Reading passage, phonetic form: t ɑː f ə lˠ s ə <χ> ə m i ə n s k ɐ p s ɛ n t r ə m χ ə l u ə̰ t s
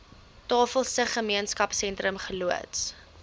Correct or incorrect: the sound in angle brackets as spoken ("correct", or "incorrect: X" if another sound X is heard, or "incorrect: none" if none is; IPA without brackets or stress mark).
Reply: correct